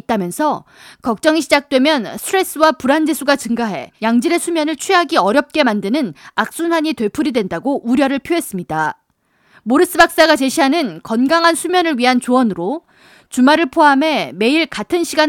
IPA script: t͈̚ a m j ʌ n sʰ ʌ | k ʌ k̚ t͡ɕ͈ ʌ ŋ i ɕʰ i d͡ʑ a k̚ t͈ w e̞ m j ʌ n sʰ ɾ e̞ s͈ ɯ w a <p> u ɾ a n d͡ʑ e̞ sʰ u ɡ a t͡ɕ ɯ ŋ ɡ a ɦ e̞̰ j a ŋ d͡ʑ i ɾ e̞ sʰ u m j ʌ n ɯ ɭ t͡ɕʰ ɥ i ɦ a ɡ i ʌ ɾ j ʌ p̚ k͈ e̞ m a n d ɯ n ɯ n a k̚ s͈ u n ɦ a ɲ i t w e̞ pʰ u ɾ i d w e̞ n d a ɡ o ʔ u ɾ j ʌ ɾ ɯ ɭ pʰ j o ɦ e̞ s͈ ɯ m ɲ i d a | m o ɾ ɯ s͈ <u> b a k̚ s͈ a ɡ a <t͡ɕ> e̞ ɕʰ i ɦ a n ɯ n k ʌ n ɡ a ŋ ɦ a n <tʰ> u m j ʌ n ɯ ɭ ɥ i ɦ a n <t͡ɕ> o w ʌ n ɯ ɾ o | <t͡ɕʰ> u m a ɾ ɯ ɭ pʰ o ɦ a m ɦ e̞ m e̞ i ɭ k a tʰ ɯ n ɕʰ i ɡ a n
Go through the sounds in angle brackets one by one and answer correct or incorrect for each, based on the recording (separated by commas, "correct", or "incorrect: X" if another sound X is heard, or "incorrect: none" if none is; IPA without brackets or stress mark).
correct, incorrect: ɯ, correct, incorrect: sʰ, correct, incorrect: t͡ɕ